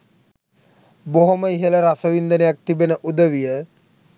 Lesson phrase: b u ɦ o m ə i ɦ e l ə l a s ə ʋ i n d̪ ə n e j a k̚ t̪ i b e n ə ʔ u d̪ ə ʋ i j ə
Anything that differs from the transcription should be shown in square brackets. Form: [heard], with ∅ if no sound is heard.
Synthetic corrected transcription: b [o] ɦ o m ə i ɦ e l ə [ɾ] a s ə ʋ i n d̪ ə n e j a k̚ t̪ i b e n ə ʔ u d̪ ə ʋ i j ə